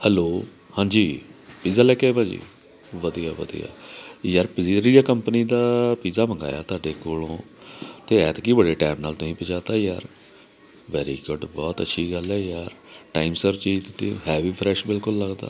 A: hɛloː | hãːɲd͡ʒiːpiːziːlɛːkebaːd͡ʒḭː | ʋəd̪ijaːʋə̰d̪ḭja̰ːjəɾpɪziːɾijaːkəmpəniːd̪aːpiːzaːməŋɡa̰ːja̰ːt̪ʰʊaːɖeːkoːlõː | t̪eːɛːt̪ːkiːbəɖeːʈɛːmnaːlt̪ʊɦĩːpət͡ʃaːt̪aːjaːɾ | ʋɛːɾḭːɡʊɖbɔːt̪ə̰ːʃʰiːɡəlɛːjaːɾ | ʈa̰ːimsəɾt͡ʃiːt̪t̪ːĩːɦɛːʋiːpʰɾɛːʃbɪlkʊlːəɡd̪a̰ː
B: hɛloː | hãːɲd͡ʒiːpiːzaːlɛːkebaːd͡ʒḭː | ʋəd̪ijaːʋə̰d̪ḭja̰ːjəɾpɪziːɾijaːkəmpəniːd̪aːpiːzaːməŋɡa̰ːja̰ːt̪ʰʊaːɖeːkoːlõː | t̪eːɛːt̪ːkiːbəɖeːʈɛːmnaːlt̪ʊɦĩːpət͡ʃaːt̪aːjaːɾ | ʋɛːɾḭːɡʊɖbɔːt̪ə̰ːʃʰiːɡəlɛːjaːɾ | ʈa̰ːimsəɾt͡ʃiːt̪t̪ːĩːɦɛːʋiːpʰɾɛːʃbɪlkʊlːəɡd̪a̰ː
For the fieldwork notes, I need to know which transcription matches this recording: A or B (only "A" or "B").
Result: B